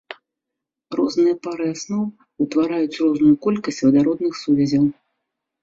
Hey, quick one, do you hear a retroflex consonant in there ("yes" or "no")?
no